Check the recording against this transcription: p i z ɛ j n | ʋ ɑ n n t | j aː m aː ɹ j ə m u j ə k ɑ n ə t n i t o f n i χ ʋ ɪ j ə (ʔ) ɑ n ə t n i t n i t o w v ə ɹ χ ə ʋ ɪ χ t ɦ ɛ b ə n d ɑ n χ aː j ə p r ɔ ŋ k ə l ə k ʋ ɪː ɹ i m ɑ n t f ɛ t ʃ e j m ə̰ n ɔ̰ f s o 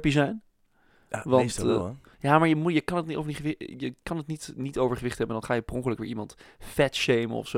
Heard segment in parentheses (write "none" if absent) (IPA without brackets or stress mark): k